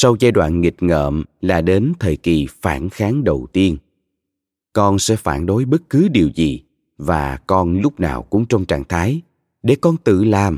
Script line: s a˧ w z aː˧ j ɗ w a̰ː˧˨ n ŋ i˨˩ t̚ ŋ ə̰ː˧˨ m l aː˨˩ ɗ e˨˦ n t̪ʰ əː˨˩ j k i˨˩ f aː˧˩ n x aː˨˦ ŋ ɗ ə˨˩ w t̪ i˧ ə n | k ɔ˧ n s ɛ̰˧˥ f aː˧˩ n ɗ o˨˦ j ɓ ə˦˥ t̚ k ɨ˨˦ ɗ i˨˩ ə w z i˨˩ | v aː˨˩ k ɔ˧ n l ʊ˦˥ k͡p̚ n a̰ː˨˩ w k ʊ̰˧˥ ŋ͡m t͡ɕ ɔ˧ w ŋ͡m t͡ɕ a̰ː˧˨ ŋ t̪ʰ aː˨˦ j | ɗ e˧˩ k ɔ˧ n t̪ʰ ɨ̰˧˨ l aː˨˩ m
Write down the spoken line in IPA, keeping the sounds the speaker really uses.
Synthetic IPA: s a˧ w z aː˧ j ɗ w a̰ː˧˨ n ŋ i˨˩ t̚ ŋ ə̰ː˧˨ m l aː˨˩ ɗ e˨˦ n t̪ʰ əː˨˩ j k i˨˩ f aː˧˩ n x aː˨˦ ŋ ɗ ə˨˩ w t̪ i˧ ə n | k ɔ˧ n s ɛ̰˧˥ f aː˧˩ n ɗ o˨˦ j ɓ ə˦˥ t̚ k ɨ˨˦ ɗ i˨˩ ə w z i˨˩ | v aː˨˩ k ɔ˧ n l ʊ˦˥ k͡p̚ n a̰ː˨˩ w k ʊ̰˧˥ ŋ͡m t͡ɕ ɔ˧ w ŋ͡m t͡ɕ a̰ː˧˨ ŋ t̪ʰ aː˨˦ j | ɗ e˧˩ k ɔ˧ n t̪ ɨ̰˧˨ l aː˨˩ m